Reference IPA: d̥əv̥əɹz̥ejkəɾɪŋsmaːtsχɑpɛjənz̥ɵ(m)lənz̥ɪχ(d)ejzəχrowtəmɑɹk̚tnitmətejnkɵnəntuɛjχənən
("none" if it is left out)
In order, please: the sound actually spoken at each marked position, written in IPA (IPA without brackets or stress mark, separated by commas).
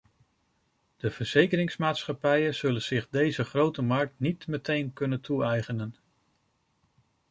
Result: none, d